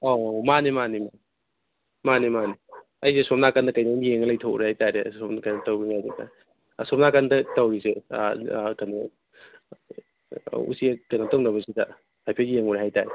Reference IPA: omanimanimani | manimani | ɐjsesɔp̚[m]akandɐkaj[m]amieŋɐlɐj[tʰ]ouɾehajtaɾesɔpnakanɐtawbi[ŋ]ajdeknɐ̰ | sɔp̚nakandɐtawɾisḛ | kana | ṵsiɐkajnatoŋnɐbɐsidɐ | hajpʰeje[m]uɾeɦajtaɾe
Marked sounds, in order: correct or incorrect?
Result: incorrect, incorrect, correct, correct, incorrect

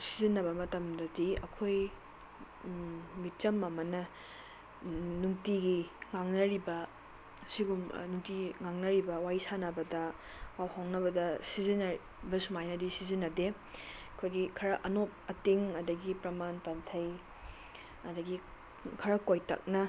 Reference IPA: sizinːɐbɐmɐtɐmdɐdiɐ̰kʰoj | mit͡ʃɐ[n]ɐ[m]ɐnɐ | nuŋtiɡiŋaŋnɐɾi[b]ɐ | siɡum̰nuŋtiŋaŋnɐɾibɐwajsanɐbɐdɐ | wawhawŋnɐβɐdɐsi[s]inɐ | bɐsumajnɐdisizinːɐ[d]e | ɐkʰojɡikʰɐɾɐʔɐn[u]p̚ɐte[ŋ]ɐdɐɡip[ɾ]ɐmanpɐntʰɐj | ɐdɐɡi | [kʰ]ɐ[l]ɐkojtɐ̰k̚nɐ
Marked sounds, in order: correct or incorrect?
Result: incorrect, correct, correct, incorrect, correct, incorrect, correct, correct, correct, incorrect

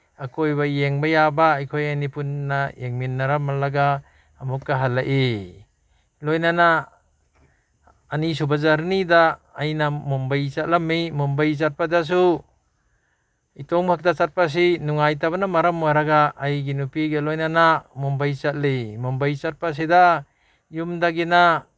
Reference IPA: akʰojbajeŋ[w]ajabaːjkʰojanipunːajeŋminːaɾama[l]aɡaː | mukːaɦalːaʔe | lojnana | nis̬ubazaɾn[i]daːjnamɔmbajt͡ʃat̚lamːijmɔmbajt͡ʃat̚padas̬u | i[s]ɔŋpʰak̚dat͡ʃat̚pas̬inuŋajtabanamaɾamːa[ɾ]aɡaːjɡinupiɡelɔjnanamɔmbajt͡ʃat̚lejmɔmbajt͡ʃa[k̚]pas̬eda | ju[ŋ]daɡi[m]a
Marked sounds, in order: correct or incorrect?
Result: incorrect, correct, correct, incorrect, correct, incorrect, incorrect, incorrect

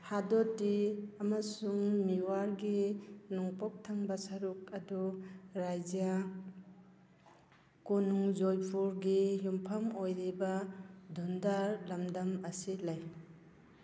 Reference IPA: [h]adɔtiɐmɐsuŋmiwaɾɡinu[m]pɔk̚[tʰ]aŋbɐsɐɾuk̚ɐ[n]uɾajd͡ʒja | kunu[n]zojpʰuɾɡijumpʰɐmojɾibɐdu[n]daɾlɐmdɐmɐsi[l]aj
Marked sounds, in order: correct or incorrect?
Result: correct, incorrect, correct, incorrect, incorrect, correct, correct

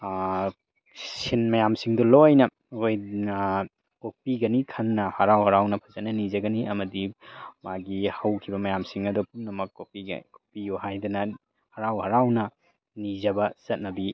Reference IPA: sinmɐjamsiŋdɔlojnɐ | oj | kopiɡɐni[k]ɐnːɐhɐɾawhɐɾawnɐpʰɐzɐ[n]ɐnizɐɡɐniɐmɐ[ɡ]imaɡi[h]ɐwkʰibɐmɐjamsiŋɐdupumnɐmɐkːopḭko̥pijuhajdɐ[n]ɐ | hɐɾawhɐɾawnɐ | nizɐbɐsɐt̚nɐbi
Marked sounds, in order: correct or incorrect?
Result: incorrect, correct, incorrect, correct, correct

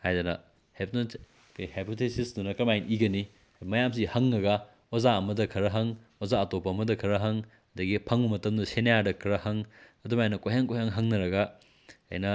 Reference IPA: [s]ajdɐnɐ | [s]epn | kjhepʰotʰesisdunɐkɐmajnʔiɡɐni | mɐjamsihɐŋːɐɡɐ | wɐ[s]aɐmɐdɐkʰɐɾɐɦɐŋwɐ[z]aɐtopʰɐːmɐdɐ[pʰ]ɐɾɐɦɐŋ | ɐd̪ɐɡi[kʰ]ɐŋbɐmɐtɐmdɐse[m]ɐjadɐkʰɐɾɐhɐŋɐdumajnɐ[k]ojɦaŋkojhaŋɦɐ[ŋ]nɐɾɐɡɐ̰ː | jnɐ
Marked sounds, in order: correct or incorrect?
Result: incorrect, incorrect, incorrect, correct, incorrect, incorrect, incorrect, correct, correct

